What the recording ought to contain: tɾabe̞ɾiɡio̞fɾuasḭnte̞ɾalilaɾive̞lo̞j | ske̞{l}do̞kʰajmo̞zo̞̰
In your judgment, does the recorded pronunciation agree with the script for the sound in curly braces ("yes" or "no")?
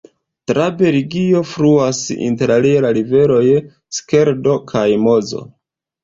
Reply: no